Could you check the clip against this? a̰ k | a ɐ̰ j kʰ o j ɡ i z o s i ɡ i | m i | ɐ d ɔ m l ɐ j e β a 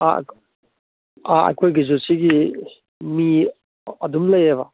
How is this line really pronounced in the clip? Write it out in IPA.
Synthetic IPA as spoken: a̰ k | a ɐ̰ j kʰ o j ɡ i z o s i ɡ i | m i | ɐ d u m l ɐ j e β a

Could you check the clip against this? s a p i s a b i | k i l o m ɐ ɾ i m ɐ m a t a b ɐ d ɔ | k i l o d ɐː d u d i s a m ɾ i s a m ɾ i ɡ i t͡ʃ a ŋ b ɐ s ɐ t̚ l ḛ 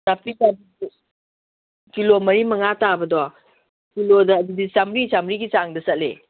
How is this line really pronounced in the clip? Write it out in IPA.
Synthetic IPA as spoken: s a p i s a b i | k i l o m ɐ ɾ i m ɐ ŋ a t a b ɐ d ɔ | k i l o d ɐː d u d i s a m ɾ i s a m ɾ i ɡ i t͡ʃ a ŋ d ɐ s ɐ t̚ l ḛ

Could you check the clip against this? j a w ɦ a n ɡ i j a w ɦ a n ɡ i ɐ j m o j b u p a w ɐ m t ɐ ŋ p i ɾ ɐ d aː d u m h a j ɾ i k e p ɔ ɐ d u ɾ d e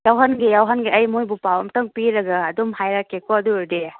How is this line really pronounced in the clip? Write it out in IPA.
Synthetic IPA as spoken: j a w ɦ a n ɡ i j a w ɦ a n ɡ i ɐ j m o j b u p a w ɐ m t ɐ ŋ p i ɾ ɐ ɡ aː d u m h a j ɾ a k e k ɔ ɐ d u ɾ d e

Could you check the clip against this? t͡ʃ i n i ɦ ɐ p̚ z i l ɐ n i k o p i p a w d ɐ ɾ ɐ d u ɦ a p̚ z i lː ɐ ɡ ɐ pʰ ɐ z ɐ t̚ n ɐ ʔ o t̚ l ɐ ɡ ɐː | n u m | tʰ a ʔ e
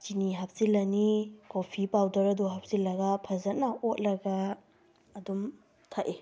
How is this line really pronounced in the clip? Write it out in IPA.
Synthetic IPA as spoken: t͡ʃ i n i ɦ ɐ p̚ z i l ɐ n i k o pʰ i p a w d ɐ ɾ ɐ d u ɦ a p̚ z i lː ɐ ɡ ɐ pʰ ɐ z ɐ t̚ n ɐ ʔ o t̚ l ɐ ɡ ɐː | d u m | tʰ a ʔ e

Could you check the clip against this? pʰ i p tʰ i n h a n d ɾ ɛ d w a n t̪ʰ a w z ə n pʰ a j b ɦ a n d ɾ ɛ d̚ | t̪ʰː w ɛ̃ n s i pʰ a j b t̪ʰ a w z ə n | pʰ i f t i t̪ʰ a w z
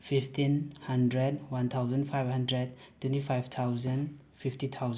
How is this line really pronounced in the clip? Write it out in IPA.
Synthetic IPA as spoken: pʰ i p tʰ i n h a n d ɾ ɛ d w a n t̪ʰ a w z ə n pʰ a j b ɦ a n d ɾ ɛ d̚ | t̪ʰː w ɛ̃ n t i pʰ a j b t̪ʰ a w z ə n | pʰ i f t i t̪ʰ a w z

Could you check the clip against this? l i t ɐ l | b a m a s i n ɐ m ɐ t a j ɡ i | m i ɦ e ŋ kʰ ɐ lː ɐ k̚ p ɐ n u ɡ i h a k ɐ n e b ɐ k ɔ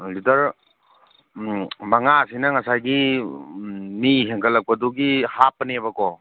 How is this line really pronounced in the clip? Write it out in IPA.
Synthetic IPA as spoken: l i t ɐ ɾ | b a ŋ a s i n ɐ ŋ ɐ s a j ɡ i | m i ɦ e ŋ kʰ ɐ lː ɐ k̚ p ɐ d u ɡ i h a p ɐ n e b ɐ k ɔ

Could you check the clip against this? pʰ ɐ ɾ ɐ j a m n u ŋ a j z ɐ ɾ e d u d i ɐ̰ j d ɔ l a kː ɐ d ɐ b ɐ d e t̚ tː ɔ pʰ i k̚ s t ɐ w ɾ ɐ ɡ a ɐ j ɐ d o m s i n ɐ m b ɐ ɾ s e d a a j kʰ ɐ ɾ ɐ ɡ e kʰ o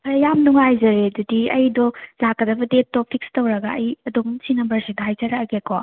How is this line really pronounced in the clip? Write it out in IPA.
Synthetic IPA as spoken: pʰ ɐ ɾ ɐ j a m n u ŋ a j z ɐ ɾ e d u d i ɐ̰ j d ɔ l a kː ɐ d ɐ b ɐ d e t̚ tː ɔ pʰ i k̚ s t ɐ w ɾ ɐ ɡ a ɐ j ɐ d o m s i n ɐ m b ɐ ɾ s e d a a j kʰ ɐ ɾ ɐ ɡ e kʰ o

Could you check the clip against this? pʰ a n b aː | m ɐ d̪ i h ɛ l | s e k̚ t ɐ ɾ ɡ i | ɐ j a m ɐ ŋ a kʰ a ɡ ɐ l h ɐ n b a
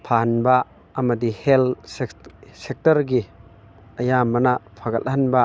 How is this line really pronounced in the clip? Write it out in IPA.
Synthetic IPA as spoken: pʰ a n b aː | m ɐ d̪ i h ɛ l | s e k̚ t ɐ ɾ ɡ i | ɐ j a m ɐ n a pʰ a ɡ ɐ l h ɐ n b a

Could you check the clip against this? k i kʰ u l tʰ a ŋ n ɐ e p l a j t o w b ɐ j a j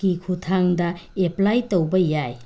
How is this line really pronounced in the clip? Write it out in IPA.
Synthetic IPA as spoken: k i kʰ u tʰ a ŋ d ɐ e p l a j t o w b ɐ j a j

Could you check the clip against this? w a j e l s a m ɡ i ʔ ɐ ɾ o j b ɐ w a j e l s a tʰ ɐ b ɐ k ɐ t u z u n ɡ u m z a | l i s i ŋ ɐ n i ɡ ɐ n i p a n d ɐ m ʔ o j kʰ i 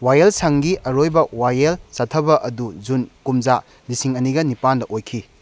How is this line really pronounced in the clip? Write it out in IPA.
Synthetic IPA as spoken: w a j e l s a ŋ ɡ i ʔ ɐ ɾ o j b ɐ w a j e l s a tʰ ɐ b ɐ ʔ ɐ d u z u n k u m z a | l i s i ŋ ɐ n i ɡ ɐ n i p a n d ɐ ʔ o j kʰ i

